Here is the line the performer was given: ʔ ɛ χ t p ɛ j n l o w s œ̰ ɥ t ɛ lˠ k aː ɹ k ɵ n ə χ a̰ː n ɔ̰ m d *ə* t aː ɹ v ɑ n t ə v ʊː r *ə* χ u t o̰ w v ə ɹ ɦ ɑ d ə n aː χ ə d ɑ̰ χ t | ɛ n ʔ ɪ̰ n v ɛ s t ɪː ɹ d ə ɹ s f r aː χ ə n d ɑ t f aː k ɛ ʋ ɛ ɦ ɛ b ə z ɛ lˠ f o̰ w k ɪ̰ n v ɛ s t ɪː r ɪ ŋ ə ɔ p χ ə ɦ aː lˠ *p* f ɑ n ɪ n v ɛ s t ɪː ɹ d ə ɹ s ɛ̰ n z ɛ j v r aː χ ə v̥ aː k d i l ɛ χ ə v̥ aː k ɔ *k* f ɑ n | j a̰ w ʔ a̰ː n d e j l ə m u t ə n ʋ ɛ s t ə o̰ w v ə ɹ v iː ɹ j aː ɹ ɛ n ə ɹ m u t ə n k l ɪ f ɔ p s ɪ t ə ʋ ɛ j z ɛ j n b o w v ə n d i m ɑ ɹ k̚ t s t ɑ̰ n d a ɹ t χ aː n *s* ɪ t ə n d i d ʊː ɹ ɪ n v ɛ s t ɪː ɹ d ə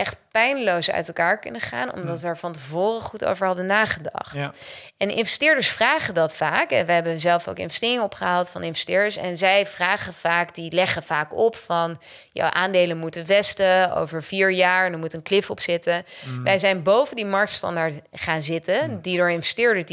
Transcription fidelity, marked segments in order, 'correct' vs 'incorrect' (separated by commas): incorrect, correct, incorrect, incorrect, incorrect